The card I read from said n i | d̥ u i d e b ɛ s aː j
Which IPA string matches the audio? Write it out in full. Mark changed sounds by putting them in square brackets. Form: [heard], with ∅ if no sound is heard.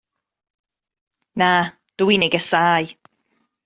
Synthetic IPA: n [a] | d̥ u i [n] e [ɡ] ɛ s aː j